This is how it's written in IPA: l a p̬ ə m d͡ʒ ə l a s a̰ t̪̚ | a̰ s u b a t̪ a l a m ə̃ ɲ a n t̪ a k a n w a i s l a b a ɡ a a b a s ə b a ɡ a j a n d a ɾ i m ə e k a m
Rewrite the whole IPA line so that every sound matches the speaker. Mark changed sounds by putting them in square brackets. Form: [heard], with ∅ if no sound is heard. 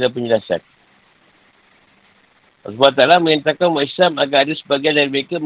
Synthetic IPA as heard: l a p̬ ə [ɲ] d͡ʒ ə l a s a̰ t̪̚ | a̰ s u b a t̪ a l a m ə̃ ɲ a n t̪ a k a n w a i s l a [m] a ɡ a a [d] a s ə b a ɡ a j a n d a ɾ i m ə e k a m